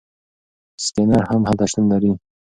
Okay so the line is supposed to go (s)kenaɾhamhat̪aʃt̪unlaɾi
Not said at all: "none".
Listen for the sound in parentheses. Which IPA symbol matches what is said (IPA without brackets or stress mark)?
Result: s